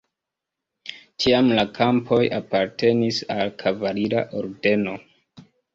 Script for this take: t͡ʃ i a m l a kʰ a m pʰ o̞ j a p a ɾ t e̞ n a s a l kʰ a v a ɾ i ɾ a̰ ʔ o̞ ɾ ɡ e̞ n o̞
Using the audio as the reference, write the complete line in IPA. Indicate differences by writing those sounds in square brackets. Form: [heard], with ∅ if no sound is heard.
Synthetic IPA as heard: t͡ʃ i a m l a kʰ a m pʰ o̞ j a p a ɾ t e̞ n [i] s a l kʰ a v a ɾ i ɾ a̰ ʔ o̞ ɾ [d] e̞ n o̞